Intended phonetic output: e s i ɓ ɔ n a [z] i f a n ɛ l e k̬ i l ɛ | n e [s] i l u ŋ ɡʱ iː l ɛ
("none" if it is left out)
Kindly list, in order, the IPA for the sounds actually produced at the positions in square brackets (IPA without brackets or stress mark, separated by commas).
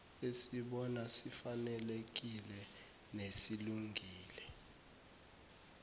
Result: s, s